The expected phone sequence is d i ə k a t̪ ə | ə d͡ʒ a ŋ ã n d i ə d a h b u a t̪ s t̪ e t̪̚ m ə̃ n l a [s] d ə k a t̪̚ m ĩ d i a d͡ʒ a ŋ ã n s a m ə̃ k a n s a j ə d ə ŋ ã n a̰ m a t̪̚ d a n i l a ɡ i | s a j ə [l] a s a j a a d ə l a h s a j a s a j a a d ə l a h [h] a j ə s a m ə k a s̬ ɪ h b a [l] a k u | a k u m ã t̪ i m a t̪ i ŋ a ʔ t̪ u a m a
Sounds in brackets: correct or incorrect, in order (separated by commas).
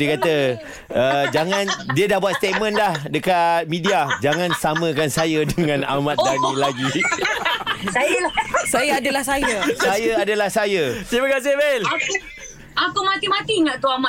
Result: incorrect, correct, incorrect, correct